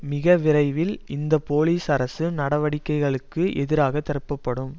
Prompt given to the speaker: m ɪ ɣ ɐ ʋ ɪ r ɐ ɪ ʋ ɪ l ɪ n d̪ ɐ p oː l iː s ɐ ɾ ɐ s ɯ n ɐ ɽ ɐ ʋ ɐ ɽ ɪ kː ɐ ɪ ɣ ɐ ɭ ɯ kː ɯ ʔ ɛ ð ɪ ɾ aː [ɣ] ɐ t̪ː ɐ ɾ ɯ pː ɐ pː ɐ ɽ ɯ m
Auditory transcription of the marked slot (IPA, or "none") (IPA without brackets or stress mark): ɣ